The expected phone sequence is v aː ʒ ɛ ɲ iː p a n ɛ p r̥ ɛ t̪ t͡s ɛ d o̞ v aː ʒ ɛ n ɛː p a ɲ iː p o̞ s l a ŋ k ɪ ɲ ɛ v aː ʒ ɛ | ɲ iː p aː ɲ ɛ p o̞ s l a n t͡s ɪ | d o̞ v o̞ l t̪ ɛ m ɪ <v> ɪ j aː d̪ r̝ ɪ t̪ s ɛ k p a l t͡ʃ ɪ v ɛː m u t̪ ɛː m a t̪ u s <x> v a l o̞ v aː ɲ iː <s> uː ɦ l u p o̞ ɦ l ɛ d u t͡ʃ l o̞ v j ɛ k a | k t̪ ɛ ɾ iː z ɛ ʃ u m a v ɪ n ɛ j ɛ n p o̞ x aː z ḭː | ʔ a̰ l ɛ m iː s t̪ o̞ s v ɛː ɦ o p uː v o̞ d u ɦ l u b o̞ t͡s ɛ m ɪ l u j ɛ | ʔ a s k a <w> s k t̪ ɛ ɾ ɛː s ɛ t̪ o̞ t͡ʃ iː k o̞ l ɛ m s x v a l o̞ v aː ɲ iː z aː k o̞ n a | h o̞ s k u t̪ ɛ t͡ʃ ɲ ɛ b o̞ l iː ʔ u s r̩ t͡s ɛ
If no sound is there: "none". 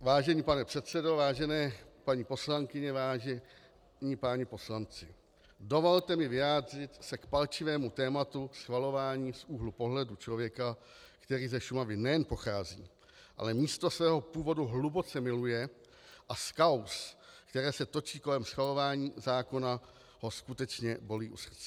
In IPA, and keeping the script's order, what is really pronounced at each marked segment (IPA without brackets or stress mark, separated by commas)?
v, x, s, w